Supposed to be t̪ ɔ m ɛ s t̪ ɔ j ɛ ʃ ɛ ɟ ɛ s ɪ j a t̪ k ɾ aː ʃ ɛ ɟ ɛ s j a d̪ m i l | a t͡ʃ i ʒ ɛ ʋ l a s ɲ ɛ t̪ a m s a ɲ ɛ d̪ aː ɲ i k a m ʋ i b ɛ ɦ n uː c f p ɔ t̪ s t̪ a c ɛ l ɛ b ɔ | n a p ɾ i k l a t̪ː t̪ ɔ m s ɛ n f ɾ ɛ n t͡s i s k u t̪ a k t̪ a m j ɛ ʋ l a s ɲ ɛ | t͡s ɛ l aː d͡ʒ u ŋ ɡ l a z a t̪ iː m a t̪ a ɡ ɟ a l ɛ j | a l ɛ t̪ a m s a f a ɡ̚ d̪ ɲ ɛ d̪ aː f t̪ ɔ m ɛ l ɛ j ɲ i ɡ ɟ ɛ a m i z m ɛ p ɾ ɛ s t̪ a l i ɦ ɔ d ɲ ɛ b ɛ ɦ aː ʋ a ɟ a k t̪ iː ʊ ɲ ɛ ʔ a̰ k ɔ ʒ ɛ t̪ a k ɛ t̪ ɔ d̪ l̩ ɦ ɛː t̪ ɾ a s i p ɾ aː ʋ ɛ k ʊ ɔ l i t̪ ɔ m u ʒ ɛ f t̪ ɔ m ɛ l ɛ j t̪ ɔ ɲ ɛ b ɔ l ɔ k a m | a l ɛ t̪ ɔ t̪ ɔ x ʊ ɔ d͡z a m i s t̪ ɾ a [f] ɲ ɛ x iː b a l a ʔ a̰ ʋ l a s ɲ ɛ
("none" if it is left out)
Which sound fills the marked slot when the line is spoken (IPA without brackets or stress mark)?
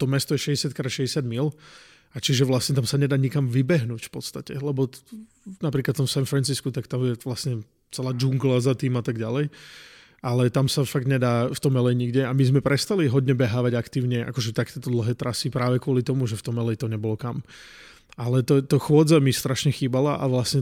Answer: ʃ